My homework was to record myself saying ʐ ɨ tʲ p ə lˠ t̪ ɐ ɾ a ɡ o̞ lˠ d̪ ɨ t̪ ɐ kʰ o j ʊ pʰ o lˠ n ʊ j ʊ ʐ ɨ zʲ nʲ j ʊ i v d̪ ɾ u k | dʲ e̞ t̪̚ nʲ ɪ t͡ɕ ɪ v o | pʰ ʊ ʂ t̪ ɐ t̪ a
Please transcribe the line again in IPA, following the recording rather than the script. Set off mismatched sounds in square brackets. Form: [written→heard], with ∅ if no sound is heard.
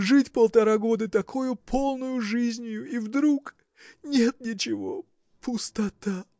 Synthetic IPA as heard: ʐ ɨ tʲ p ə lˠ t̪ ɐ ɾ a ɡ o̞ [lˠ→∅] d̪ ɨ t̪ ɐ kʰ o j ʊ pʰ o lˠ n ʊ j ʊ ʐ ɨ zʲ nʲ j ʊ i v d̪ ɾ u k | [dʲ→nʲ] e̞ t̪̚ nʲ ɪ t͡ɕ ɪ v o | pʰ ʊ [ʂ→s] t̪ ɐ t̪ a